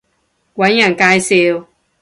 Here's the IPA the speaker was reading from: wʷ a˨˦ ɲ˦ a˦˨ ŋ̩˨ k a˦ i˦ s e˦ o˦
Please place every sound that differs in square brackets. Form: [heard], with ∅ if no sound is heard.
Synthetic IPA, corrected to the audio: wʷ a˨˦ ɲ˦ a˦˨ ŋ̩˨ k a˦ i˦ s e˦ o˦

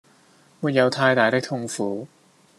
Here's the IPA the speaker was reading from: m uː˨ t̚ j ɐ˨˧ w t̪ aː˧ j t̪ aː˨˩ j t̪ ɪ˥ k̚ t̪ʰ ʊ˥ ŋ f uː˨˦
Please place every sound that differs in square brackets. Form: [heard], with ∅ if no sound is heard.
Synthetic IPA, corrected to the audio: m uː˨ t̚ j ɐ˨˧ w [t̪ʰ] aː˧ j t̪ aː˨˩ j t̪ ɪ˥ k̚ t̪ʰ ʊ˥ ŋ f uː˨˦

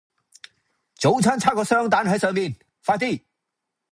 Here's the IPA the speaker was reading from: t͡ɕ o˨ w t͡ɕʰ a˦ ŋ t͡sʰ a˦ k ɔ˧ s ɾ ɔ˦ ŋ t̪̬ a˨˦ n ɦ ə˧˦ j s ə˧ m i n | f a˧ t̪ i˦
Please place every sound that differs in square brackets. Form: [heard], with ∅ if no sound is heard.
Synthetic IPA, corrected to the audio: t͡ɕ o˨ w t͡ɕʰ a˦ [n] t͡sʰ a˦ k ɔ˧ s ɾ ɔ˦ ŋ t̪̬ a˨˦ n ɦ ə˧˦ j s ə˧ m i n | f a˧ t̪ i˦

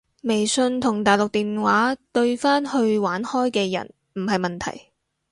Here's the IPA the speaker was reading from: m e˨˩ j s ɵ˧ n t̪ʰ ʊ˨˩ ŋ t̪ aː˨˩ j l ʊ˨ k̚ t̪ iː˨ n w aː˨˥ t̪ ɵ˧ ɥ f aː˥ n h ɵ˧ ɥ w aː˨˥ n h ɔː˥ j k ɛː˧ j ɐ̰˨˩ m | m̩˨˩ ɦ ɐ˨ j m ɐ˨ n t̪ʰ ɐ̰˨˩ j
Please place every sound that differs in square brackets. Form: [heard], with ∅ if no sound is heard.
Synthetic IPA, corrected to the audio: m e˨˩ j s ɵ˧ n t̪ʰ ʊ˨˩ ŋ t̪ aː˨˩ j l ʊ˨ k̚ t̪ iː˨ n w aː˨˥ t̪ ɵ˧ ɥ f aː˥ n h ɵ˧ ɥ w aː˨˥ n h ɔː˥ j k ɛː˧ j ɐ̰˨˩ [n] | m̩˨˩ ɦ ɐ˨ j m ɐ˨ n t̪ʰ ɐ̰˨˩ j

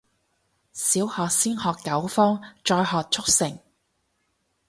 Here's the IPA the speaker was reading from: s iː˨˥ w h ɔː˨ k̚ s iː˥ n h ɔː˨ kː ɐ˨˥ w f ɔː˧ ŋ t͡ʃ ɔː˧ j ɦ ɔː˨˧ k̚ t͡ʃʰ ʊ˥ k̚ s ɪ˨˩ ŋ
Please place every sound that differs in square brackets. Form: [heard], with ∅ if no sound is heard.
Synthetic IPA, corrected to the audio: s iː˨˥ w h ɔː˨ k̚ s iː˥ n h ɔː˨ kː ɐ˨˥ w f [ɔː˥] ŋ t͡ʃ ɔː˧ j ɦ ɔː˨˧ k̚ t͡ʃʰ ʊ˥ k̚ s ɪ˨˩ ŋ

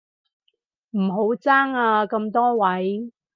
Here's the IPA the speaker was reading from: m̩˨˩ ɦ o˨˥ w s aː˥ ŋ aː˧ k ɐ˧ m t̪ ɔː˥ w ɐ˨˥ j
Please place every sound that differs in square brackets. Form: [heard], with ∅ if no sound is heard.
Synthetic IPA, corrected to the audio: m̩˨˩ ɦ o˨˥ w [t͡s] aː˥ ŋ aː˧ k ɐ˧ m t̪ ɔː˥ w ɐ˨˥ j

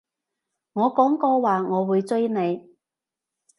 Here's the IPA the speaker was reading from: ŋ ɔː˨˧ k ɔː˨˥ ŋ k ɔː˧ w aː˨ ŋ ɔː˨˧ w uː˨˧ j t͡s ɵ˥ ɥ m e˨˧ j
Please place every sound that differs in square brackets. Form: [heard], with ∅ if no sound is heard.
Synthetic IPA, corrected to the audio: ŋ ɔː˨˧ k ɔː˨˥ ŋ k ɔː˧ w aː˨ ŋ ɔː˨˧ w uː˨˧ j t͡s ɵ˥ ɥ [n] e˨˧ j

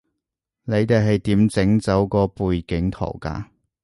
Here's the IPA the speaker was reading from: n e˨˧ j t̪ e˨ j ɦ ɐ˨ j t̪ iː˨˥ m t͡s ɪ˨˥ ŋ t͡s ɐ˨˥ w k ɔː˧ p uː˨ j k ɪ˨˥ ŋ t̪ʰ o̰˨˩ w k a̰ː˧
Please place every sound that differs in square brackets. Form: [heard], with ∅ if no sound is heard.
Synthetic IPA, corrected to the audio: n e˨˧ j t̪ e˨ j ɦ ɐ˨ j t̪ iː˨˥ m t͡s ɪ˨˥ ŋ t͡s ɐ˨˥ w k ɔː˧ p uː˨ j k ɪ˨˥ ŋ t̪ʰ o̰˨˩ w k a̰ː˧

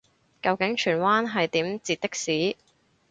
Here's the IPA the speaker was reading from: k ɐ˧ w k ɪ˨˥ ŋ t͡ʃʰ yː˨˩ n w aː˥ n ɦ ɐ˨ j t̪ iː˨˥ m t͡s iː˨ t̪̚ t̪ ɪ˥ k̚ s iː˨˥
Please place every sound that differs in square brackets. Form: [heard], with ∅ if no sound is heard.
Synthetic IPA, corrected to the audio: k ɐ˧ w k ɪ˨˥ ŋ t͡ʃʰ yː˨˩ n w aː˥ n ɦ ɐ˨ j t̪ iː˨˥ m t͡s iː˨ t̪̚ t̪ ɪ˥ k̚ s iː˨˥

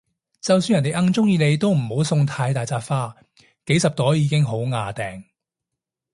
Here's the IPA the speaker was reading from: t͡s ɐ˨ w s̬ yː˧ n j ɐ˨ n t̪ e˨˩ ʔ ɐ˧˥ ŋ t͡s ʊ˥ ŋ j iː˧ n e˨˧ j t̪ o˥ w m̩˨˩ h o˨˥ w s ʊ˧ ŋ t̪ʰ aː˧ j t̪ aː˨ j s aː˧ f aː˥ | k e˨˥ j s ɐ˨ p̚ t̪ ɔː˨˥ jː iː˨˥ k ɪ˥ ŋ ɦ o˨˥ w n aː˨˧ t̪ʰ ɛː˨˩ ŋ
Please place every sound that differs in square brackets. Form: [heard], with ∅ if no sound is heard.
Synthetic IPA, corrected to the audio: t͡s ɐ˨ w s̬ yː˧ n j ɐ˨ n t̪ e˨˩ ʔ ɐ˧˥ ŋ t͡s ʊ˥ ŋ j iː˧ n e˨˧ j t̪ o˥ w m̩˨˩ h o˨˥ w s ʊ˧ ŋ t̪ʰ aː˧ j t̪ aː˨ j [t͡s] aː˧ f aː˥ | k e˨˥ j s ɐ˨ p̚ t̪ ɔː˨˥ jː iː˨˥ k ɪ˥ ŋ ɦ o˨˥ w [ŋ] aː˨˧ [t̪] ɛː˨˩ ŋ

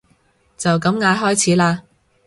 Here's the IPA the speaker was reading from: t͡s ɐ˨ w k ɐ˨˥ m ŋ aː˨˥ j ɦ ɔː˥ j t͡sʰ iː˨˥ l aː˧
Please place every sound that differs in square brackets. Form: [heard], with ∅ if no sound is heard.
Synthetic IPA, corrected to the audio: t͡s ɐ˨ w k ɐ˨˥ m ŋ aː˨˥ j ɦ ɔː˥ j t͡sʰ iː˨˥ l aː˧

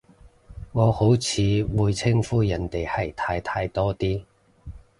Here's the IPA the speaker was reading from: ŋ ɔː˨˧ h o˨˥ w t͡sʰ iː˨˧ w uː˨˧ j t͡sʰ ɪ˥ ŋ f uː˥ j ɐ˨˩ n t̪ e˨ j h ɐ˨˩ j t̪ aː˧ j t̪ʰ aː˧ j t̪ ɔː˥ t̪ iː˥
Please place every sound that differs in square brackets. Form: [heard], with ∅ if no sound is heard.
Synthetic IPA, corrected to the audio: ŋ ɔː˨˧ h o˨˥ w t͡sʰ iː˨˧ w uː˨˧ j t͡sʰ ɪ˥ ŋ f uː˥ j ɐ˨˩ n t̪ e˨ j h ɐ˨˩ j [t̪ʰ] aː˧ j t̪ʰ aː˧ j t̪ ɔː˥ t̪ iː˥

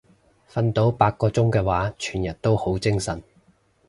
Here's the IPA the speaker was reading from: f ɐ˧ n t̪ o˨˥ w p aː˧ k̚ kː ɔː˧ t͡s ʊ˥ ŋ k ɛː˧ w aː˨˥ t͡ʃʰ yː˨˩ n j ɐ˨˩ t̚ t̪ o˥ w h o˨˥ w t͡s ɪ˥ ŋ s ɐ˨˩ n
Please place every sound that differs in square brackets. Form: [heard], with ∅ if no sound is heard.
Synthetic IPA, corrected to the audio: f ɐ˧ n t̪ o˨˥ w p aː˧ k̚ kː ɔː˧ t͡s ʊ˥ ŋ k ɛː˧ w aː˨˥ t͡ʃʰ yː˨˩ n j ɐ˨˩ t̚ t̪ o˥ w h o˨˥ w t͡s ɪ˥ ŋ s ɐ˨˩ n

